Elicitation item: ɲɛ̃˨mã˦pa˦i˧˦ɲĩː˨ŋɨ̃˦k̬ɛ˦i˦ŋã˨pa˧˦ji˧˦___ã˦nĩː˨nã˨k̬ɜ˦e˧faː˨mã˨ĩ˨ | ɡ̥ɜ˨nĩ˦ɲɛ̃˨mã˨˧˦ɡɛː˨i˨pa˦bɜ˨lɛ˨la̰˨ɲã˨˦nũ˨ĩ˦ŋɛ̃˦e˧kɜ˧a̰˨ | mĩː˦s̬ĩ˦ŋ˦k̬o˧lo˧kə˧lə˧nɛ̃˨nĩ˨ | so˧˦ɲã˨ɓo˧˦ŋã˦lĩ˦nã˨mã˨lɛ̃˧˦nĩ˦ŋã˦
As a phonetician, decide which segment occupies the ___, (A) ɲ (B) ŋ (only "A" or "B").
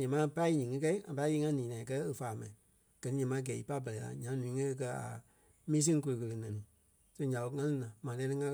B